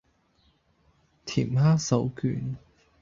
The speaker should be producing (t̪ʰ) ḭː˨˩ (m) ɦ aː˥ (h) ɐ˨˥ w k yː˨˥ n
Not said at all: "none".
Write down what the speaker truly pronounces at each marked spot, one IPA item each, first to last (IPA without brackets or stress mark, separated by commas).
t̪ʰ, m, s